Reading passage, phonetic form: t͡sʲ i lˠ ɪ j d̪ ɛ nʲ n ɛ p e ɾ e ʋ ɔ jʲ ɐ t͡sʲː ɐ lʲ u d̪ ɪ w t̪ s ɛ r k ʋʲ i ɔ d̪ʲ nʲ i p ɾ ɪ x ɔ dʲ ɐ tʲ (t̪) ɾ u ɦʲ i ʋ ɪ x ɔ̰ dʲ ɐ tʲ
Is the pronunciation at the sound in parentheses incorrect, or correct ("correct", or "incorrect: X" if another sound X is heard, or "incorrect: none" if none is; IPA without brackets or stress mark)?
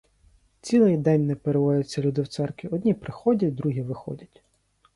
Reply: incorrect: d̪